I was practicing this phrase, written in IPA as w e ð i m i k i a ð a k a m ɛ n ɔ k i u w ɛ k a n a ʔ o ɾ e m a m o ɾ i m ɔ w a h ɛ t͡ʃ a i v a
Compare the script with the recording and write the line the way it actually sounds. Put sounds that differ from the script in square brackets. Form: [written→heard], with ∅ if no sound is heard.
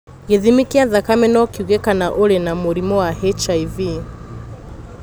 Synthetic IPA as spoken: [w→ɣ] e ð i m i k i a ð a k a m ɛ n ɔ k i u [w→ɣ] ɛ k a n a ʔ o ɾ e [m→n] a m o ɾ i m ɔ w a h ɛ t͡ʃ a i v [a→i]